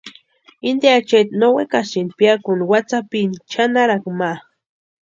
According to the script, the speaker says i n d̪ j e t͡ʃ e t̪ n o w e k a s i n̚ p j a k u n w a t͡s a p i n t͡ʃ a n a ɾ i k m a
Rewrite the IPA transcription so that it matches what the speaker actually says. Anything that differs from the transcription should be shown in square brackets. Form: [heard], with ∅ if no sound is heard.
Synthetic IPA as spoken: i n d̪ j [a] t͡ʃ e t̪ n o w e k a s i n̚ p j a k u n w a t͡s a p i n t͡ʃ a n a ɾ [a] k m a